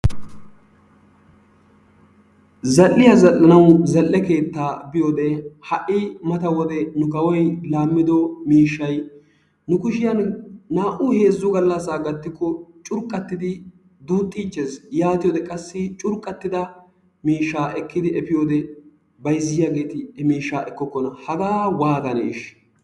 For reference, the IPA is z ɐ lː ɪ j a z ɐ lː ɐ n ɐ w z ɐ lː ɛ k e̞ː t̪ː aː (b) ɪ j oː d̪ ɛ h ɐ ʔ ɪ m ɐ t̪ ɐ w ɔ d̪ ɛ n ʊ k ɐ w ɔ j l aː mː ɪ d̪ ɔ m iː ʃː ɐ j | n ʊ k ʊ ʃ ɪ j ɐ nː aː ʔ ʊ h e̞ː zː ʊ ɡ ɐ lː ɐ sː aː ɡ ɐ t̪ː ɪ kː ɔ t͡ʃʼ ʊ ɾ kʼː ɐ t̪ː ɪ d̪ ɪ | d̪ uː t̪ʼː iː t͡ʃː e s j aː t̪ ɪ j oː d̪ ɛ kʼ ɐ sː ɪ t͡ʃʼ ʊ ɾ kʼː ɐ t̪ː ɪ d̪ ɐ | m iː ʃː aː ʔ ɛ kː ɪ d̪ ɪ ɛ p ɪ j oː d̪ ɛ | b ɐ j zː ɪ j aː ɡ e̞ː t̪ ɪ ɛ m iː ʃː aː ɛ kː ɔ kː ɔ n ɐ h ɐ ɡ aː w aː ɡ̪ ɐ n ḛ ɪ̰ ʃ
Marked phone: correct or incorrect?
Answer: correct